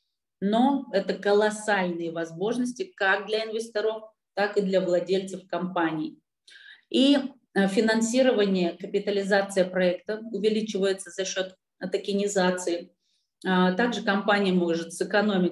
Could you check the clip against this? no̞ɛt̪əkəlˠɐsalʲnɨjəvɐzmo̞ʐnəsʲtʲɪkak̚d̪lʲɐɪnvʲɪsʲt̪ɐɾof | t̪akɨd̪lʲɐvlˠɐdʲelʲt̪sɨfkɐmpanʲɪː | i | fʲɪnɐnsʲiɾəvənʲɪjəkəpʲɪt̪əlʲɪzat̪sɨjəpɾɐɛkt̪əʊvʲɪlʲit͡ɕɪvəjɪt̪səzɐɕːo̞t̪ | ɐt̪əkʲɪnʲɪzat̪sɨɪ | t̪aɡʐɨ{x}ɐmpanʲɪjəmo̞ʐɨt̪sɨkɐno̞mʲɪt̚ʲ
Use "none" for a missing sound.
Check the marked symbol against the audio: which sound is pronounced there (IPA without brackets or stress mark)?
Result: k